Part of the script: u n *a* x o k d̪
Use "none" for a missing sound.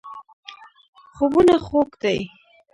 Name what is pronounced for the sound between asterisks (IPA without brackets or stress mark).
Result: a